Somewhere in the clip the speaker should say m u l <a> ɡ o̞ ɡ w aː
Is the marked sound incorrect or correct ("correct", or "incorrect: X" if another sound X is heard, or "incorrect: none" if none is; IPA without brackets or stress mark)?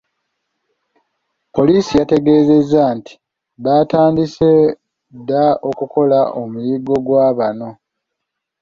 incorrect: i